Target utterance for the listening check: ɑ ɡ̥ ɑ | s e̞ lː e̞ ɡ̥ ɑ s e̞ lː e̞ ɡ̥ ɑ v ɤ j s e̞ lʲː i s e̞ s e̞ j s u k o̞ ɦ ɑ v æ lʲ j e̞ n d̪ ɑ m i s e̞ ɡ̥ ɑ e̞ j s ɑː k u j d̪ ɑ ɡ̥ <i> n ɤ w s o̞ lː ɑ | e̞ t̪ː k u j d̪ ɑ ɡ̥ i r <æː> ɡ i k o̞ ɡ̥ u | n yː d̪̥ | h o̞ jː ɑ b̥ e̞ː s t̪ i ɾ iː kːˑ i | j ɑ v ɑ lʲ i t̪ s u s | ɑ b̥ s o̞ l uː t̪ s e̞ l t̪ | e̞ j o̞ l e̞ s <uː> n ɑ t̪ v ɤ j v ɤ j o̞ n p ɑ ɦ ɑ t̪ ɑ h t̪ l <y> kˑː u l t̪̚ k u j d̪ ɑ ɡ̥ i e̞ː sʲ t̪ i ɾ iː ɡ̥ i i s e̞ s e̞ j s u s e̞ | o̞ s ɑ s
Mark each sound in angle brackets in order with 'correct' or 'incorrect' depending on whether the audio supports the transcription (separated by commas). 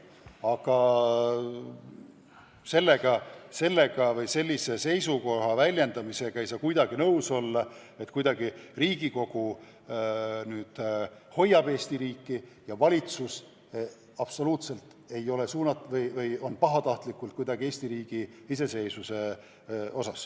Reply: correct, incorrect, correct, incorrect